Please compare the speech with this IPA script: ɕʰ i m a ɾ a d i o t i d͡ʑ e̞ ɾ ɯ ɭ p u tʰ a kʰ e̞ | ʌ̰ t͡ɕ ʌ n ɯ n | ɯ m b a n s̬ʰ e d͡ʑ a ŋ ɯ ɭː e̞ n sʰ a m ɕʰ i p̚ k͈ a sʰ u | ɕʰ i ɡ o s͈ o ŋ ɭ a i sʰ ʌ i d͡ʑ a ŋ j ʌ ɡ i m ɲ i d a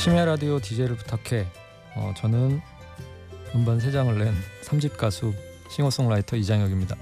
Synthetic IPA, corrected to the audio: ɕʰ i m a ɾ a d i o t i d͡ʑ e̞ ɾ ɯ ɭ p u tʰ a kʰ e̞ | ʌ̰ t͡ɕ ʌ n ɯ n | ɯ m b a n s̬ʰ e d͡ʑ a ŋ ɯ ɭː e̞ n sʰ a m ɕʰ i p̚ k͈ a sʰ u | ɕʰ i ŋ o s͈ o ŋ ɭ a i tʰ ʌ i d͡ʑ a ŋ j ʌ ɡ i m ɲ i d a